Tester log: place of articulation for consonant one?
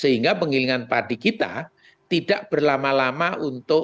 alveolar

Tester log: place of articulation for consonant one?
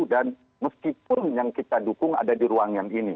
alveolar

